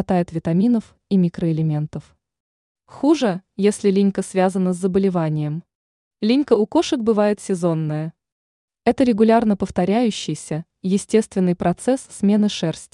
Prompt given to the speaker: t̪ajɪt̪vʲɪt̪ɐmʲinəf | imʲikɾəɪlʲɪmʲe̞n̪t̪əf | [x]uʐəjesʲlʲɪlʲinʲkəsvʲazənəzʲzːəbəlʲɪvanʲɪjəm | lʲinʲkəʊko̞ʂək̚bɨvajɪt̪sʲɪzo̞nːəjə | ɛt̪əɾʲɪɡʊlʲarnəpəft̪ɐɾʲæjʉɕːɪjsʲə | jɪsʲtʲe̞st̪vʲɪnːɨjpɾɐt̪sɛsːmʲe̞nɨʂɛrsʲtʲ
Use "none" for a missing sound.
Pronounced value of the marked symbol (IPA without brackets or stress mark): x